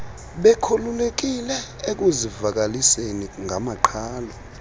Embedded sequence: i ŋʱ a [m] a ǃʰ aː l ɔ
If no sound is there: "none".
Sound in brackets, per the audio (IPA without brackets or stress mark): m